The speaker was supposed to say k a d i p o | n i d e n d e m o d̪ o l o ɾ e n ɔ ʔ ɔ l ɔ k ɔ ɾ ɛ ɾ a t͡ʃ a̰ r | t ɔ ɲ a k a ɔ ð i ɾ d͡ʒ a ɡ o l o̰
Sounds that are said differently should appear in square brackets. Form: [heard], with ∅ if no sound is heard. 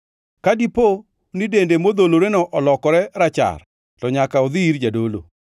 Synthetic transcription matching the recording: k a d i p o | n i d e n d e m o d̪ o l o ɾ e n ɔ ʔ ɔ l ɔ k ɔ ɾ ɛ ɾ a t͡ʃ a̰ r | t ɔ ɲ a k a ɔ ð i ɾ d͡ʒ a [d] o l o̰